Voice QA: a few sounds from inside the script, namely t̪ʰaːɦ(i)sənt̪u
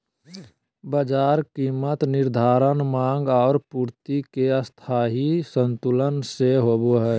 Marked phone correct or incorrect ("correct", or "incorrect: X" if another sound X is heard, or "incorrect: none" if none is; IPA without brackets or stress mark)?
correct